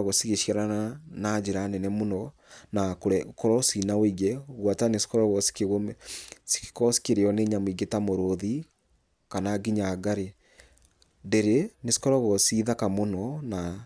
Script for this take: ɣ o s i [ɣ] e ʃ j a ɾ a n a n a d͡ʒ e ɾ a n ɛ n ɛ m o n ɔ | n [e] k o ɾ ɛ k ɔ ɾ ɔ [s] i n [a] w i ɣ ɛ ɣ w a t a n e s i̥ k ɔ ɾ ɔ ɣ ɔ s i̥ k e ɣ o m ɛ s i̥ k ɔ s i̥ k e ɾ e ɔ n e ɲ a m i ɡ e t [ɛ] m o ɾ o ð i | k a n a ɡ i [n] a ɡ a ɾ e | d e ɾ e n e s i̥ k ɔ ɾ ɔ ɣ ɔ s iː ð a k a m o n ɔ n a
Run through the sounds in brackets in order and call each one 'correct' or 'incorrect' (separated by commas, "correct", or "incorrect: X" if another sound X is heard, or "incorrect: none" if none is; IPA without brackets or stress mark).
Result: correct, incorrect: a, correct, correct, incorrect: a, incorrect: ɲ